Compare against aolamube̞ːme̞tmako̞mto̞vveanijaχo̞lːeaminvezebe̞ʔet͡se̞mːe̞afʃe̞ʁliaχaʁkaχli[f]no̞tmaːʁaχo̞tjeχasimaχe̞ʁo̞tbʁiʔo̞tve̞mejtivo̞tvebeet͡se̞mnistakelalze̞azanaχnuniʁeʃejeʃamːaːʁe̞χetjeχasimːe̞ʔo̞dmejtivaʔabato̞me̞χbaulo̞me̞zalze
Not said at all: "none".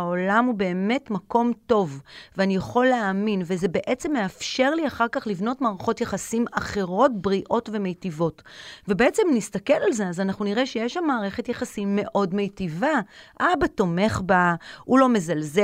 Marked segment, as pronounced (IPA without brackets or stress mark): v